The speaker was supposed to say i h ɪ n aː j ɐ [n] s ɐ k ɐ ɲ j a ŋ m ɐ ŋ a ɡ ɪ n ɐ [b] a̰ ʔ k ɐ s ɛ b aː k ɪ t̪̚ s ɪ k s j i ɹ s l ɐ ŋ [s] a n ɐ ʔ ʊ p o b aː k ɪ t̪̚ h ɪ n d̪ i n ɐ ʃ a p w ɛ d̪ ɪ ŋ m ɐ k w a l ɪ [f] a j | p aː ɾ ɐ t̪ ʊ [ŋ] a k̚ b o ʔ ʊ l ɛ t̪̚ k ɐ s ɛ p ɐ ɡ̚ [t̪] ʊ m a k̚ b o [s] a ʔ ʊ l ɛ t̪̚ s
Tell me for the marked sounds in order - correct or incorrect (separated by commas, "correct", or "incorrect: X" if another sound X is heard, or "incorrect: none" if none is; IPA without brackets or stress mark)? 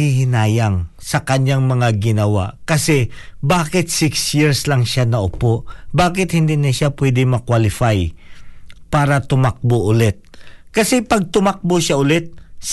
incorrect: ŋ, incorrect: w, incorrect: ʃ, correct, incorrect: m, correct, incorrect: ʃ